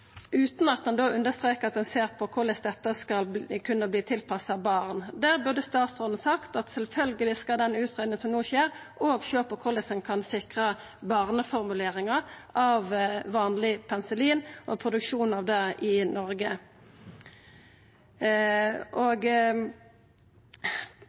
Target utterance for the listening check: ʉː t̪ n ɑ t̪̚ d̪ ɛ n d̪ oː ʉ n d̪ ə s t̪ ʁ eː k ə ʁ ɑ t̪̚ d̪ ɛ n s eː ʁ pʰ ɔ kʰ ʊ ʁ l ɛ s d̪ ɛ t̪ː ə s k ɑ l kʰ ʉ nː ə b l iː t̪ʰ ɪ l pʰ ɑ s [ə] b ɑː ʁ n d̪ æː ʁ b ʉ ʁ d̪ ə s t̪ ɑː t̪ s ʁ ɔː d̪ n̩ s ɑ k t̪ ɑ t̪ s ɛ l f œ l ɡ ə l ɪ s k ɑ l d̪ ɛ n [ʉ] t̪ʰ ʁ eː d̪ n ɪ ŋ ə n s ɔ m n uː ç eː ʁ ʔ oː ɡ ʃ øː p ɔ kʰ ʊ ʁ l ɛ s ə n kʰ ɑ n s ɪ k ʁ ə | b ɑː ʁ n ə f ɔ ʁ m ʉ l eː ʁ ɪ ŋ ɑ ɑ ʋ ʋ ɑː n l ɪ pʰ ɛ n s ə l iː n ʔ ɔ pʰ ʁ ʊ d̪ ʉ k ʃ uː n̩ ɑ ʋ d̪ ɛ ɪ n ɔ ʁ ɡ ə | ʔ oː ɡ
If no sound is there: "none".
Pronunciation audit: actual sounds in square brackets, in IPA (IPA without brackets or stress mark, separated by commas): ɑ, ʉː